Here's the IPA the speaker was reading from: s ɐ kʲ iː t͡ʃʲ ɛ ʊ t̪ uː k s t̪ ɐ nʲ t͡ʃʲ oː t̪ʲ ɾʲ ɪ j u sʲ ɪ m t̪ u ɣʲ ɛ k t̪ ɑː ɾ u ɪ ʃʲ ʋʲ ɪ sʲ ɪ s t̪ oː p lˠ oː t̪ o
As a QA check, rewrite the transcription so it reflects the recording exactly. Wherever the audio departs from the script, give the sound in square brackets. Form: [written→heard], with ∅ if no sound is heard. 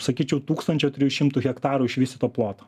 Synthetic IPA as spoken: s ɐ kʲ iː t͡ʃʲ ɛ ʊ t̪ uː k s t̪ ɐ nʲ t͡ʃʲ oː t̪ʲ ɾʲ ɪ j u [sʲ→ʃʲ] ɪ m t̪ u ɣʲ ɛ k t̪ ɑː ɾ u ɪ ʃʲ ʋʲ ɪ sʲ ɪ [s→∅] t̪ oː p lˠ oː t̪ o

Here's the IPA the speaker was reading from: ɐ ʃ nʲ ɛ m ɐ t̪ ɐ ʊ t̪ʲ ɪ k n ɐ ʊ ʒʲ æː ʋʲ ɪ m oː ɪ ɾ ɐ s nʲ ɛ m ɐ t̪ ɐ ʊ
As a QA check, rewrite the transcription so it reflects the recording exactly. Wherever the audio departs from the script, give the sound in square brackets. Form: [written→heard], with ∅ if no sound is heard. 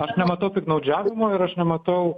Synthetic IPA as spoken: ɐ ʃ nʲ ɛ m ɐ t̪ ɐ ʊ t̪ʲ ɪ k n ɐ ʊ [ʒʲ→d͡ʒʲ] æː ʋʲ ɪ m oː ɪ ɾ ɐ [s→ʃ] nʲ ɛ m ɐ t̪ ɐ ʊ

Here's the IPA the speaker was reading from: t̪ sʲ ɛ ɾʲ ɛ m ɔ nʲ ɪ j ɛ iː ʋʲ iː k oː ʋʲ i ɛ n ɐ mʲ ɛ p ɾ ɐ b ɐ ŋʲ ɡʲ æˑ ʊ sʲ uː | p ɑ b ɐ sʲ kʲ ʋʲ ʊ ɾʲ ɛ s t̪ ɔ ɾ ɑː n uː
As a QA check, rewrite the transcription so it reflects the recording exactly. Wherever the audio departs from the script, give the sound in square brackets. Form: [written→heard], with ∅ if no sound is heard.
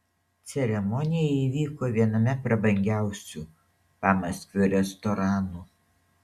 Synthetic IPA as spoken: t̪ sʲ ɛ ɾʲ ɛ m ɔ nʲ ɪ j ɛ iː ʋʲ iː k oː ʋʲ i ɛ n ɐ mʲ ɛ p ɾ ɐ b ɐ ŋʲ ɡʲ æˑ ʊ sʲ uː | p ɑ [b→m] ɐ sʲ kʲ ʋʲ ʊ ɾʲ ɛ s t̪ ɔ ɾ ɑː n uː

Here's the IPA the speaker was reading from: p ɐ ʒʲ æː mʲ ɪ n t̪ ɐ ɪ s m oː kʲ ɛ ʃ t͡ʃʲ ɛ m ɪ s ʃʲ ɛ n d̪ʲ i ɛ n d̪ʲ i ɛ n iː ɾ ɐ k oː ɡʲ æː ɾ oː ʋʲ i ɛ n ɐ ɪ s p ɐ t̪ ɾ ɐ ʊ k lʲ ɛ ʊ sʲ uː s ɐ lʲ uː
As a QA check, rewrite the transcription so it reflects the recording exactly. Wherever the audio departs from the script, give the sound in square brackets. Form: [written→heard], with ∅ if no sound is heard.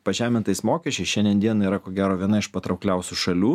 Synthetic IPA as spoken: p ɐ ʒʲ æː mʲ ɪ n t̪ ɐ ɪ s m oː kʲ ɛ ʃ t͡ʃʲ ɛ [m→∅] ɪ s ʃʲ ɛ n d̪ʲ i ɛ n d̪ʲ i ɛ n iː ɾ ɐ k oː ɡʲ æː ɾ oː ʋʲ i ɛ n ɐ ɪ [s→ʃ] p ɐ t̪ ɾ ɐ ʊ k lʲ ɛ ʊ sʲ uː [s→ʃ] ɐ lʲ uː

